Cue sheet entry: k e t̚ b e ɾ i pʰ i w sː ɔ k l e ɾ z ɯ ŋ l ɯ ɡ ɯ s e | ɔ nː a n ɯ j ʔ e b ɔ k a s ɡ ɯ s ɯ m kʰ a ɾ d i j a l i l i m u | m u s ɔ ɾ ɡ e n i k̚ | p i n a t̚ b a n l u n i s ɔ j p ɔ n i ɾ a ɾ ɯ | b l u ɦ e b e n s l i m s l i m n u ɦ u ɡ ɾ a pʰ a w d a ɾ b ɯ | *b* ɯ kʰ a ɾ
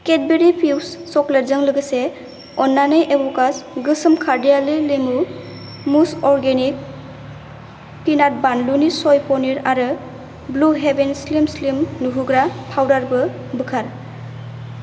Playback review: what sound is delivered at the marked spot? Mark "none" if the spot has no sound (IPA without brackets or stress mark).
b